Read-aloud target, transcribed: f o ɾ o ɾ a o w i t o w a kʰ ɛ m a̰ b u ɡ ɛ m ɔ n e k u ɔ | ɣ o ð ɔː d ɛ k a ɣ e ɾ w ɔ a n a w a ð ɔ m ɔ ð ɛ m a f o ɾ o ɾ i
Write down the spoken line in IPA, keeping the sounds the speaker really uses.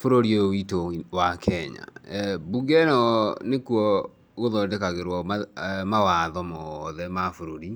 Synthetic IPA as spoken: f o ɾ o ɾ i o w i t o w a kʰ ɛ ɲ a̰ b u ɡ ɛ n ɔ n e k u ɔ | ɣ o ð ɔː d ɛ k a ɣ e ɾ w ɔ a m a w a ð ɔ m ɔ ð ɛ m a f o ɾ o ɾ i